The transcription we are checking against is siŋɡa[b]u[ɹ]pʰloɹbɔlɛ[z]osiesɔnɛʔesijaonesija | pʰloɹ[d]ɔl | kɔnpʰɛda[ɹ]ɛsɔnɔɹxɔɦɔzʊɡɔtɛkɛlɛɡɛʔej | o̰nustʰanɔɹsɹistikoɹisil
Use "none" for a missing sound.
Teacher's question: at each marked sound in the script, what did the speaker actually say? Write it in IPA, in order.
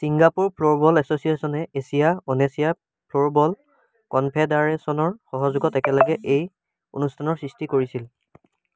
p, ɹ, s, b, ɹ

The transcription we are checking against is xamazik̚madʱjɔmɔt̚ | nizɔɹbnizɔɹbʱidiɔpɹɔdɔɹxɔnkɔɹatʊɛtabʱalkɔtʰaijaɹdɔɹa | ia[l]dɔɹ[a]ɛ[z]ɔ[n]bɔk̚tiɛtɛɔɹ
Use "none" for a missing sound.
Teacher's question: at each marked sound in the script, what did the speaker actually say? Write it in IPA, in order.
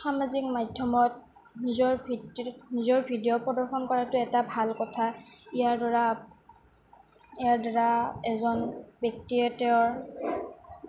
ɹ, a, z, n

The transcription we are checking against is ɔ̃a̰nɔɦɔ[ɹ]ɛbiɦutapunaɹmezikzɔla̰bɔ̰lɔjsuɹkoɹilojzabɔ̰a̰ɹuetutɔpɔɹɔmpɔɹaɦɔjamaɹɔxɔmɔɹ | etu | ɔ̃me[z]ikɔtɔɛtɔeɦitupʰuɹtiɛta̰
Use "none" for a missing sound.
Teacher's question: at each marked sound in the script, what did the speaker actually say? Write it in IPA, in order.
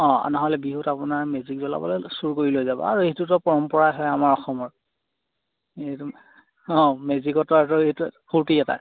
l, z

